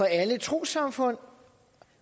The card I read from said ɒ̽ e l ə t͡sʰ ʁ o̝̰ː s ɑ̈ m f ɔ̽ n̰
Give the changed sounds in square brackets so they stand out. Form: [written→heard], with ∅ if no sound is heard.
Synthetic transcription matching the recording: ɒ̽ [e→æ] l ə t͡sʰ ʁ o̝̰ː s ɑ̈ m f ɔ̽ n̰